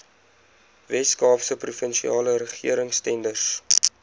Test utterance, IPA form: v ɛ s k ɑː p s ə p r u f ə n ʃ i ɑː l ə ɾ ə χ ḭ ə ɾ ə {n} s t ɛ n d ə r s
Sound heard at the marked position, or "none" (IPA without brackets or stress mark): ŋ